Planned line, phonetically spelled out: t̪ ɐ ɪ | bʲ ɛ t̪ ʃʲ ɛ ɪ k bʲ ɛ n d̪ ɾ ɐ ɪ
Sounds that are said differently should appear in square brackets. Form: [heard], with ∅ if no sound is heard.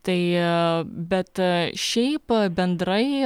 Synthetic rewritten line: t̪ ɐ ɪ | bʲ ɛ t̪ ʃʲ ɛ ɪ [p] bʲ ɛ n d̪ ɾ ɐ ɪ